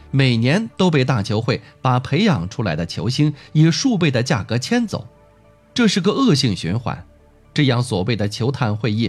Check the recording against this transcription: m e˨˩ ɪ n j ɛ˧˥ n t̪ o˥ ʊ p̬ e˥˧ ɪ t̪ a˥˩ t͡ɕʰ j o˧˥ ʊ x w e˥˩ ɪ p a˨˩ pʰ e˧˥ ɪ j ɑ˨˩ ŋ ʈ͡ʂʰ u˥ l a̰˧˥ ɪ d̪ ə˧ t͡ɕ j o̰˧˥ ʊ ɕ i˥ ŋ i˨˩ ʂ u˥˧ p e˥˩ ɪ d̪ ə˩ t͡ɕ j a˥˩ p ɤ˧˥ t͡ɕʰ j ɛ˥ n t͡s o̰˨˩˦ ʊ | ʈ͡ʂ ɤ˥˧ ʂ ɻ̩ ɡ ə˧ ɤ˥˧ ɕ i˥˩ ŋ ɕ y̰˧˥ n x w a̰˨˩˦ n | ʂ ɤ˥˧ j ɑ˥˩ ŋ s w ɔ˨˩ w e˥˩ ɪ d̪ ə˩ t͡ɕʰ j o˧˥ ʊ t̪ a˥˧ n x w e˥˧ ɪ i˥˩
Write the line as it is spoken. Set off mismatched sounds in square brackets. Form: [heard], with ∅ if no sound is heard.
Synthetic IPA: m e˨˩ ɪ n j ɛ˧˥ n t̪ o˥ ʊ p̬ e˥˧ ɪ t̪ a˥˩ t͡ɕʰ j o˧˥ ʊ x w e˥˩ ɪ p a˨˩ pʰ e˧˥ ɪ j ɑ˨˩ ŋ ʈ͡ʂʰ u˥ l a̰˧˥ ɪ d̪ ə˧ [t͡ɕʰ] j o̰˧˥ ʊ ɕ i˥ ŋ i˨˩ ʂ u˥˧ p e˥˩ ɪ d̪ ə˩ t͡ɕ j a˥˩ [k] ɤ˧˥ t͡ɕʰ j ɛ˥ n t͡s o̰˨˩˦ ʊ | ʈ͡ʂ ɤ˥˧ ʂ ɻ̩ ɡ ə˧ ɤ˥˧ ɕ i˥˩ ŋ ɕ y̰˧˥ n x w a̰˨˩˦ n | [ʈ͡ʂ] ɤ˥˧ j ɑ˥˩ ŋ s w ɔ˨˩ w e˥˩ ɪ d̪ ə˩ t͡ɕʰ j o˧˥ ʊ [t̪ʰ] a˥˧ n x w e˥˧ ɪ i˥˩